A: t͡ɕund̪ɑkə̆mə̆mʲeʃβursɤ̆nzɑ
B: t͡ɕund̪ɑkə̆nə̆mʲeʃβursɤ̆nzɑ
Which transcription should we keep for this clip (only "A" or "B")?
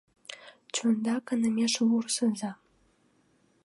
B